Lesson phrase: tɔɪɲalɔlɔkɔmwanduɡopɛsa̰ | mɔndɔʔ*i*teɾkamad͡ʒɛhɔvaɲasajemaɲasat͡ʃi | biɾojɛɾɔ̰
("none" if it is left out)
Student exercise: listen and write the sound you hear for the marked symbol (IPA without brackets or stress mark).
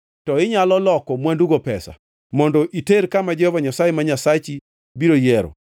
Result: i